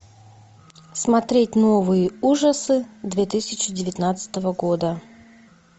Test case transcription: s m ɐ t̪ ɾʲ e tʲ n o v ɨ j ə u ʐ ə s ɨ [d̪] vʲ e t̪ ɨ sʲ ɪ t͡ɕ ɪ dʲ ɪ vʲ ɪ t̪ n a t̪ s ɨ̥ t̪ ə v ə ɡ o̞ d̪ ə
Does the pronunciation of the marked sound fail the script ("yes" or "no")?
no